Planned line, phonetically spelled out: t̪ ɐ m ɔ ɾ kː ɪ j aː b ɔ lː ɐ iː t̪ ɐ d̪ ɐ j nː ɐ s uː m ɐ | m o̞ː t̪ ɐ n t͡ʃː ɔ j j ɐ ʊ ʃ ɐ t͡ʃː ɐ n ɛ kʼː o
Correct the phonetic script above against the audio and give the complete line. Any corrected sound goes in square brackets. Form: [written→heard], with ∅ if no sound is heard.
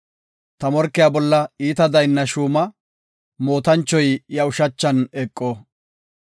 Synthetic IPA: t̪ ɐ m ɔ ɾ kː ɪ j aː b ɔ lː ɐ iː t̪ ɐ d̪ ɐ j nː ɐ [s→ʃ] uː m ɐ | m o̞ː t̪ ɐ n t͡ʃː ɔ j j ɐ ʊ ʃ ɐ t͡ʃː ɐ n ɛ kʼː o